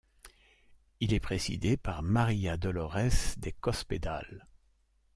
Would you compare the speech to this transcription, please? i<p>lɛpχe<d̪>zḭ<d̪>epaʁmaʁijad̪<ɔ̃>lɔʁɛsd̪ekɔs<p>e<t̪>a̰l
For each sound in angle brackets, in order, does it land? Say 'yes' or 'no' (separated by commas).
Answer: no, no, yes, no, yes, no